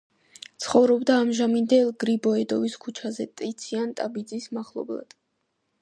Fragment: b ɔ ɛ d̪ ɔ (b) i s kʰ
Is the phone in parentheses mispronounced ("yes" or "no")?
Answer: yes